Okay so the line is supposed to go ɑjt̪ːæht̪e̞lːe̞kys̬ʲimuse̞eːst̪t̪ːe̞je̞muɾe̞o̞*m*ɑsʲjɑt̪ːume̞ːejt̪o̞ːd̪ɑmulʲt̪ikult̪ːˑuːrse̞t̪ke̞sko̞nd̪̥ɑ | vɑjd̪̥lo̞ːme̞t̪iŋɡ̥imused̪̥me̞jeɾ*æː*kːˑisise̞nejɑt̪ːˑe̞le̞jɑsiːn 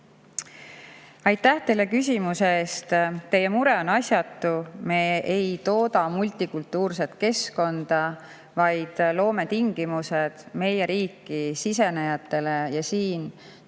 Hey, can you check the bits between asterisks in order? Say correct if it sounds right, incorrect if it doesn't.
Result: incorrect, incorrect

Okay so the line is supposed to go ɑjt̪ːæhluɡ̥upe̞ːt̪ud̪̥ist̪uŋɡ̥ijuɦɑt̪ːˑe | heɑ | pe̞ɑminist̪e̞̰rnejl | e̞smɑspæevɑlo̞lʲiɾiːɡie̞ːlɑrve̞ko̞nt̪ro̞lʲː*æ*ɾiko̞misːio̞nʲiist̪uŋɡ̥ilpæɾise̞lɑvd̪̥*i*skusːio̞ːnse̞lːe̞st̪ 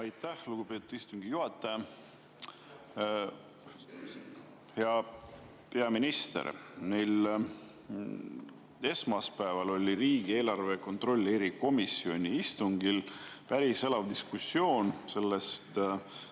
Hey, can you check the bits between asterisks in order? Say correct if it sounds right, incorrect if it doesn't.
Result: incorrect, correct

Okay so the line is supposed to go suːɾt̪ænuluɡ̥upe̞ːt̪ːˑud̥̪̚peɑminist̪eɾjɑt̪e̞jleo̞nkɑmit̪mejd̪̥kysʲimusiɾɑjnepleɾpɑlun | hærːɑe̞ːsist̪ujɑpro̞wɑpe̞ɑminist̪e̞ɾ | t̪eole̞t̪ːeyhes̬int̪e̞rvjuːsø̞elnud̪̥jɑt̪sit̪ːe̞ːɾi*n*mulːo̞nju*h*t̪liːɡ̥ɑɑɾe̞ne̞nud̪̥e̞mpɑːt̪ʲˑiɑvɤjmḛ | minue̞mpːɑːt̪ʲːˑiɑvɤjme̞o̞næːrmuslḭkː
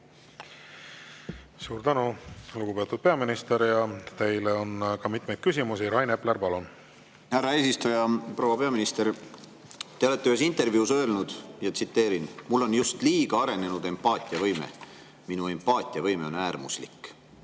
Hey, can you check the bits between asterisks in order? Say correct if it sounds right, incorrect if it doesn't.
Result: correct, incorrect

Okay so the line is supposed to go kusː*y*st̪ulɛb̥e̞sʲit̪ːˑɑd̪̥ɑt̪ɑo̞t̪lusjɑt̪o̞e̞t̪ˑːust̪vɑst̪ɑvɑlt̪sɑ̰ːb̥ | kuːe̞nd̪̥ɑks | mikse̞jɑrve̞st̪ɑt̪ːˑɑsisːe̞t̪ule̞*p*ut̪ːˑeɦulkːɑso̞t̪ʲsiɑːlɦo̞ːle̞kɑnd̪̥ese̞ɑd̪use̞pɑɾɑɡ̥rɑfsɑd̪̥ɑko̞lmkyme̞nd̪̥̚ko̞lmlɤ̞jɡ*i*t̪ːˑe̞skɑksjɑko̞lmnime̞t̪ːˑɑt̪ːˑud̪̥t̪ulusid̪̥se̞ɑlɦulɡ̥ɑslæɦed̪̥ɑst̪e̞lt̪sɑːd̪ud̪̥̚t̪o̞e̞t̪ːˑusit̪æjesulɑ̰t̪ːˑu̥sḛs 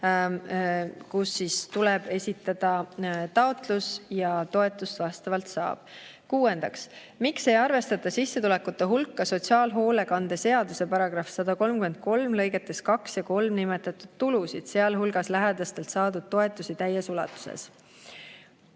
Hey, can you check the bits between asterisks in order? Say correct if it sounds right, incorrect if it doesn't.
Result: incorrect, incorrect, incorrect

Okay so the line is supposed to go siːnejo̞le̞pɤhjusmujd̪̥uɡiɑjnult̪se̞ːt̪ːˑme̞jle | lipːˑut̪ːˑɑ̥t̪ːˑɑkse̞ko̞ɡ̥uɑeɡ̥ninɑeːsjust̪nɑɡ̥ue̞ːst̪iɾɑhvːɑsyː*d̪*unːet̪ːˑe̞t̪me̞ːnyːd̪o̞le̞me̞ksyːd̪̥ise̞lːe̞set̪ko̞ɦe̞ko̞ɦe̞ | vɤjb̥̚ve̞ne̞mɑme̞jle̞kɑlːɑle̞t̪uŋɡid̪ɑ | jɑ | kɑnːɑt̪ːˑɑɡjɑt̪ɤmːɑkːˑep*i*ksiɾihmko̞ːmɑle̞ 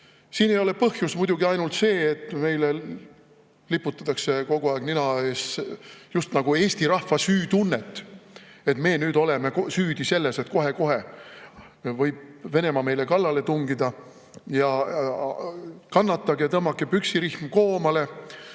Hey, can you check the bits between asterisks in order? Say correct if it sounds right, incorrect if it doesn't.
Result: incorrect, incorrect

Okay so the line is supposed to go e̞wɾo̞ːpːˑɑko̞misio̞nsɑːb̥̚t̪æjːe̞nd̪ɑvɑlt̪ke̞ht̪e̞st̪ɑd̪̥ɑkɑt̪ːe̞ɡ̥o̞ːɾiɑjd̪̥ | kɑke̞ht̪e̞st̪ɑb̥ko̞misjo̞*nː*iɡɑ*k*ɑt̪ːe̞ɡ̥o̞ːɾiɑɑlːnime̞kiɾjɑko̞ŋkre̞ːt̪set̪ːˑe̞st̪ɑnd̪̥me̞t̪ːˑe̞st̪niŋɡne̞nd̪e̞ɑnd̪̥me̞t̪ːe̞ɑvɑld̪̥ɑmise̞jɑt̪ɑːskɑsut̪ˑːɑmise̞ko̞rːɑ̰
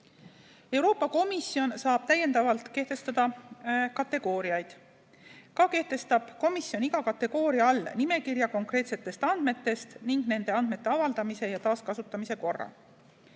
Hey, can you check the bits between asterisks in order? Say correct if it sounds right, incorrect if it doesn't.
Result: incorrect, correct

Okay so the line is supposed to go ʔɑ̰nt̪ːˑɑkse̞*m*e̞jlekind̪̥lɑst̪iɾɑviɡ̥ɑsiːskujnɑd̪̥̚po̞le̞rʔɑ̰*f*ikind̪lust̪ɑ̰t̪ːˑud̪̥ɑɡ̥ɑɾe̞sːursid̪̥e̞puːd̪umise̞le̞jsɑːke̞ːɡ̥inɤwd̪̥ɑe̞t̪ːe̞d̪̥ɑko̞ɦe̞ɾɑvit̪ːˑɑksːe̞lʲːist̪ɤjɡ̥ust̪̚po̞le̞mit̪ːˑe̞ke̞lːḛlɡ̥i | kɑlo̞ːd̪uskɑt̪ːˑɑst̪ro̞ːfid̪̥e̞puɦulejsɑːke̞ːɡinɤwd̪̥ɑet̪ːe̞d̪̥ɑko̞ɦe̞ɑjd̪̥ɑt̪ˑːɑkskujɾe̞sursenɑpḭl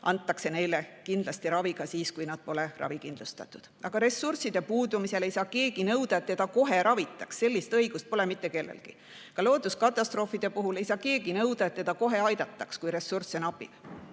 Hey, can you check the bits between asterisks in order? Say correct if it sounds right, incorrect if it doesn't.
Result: incorrect, incorrect

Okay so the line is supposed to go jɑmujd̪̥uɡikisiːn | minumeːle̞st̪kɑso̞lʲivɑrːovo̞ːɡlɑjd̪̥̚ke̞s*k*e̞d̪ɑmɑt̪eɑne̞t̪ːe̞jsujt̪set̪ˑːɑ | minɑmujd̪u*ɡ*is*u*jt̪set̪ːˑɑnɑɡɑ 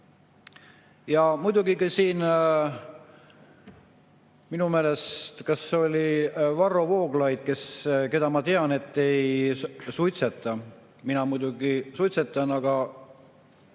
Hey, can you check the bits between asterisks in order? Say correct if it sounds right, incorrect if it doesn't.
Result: correct, correct, correct

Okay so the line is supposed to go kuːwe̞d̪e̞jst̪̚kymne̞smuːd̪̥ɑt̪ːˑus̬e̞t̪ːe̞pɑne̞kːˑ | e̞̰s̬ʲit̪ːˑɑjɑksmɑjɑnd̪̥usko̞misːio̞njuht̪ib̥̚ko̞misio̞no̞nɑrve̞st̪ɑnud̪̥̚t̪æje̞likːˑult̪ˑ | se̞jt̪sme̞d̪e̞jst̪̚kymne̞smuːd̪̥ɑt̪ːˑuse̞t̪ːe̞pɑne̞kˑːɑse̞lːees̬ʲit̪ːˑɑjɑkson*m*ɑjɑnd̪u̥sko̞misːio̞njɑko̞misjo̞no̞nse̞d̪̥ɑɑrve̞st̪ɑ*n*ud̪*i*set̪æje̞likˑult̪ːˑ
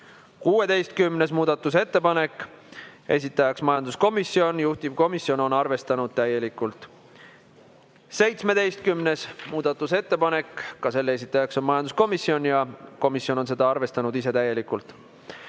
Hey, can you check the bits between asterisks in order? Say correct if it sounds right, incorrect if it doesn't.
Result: correct, correct, correct

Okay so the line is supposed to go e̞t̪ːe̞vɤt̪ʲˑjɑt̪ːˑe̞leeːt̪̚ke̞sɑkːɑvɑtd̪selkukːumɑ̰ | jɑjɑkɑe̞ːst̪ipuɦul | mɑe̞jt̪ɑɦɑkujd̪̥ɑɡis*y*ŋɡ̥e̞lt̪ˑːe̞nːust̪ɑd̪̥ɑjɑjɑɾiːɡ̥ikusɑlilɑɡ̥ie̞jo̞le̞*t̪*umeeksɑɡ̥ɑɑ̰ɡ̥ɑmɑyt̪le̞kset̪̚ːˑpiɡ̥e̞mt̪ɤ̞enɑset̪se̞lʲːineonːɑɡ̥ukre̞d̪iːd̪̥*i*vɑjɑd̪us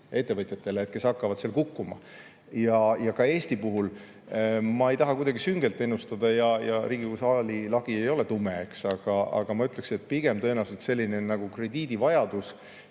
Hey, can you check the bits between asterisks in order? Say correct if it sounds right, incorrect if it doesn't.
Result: correct, correct, correct

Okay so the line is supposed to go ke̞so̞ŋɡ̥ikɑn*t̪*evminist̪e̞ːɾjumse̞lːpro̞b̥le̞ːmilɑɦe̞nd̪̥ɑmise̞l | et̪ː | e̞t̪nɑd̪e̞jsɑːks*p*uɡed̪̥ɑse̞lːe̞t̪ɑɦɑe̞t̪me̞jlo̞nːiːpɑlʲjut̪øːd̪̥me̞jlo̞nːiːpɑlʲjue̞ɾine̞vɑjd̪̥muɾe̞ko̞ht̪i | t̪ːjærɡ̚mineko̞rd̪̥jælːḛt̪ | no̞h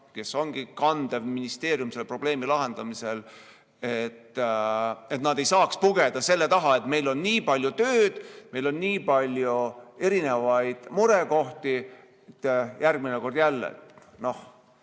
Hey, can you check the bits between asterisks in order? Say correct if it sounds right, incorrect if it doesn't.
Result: incorrect, correct

